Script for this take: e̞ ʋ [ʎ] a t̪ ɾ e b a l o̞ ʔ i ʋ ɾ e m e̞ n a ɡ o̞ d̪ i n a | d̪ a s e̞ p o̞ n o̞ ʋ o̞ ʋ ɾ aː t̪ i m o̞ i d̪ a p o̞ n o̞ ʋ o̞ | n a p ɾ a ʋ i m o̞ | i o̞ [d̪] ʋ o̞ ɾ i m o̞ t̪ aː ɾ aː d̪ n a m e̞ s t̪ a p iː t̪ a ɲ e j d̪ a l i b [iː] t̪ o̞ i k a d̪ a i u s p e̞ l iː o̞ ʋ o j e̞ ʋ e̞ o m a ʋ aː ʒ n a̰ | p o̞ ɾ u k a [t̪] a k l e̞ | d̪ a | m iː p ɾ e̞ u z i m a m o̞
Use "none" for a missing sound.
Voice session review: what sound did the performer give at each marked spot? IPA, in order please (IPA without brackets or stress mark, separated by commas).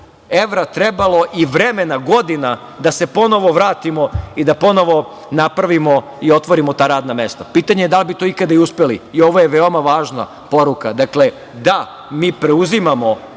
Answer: ɾ, t̪, i, d̪